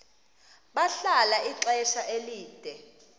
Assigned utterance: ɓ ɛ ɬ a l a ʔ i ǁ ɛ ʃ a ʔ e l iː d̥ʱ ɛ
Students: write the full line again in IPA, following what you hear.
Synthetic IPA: ɓ a ɬ a l a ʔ i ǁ ɛ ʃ a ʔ e l iː d̥ʱ ɛ